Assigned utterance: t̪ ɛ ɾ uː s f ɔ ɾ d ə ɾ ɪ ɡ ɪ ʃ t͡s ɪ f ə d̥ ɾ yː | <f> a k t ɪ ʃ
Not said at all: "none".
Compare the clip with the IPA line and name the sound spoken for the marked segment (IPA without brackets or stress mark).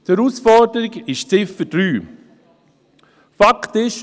f